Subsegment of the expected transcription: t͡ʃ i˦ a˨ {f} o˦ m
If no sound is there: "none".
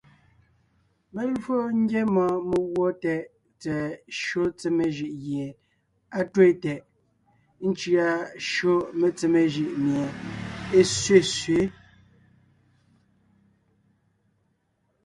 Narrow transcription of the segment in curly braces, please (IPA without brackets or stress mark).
ʃ